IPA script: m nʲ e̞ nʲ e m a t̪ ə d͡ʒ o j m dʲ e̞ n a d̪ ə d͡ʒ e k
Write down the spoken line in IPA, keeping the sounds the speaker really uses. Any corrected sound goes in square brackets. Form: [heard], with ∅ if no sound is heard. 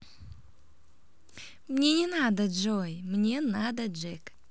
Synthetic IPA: m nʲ e̞ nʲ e [n] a [d̪] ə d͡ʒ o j m [nʲ] e̞ n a d̪ ə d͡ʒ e k